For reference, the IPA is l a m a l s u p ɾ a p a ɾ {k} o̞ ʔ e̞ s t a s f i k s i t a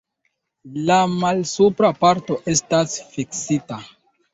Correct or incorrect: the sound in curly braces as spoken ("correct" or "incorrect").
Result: incorrect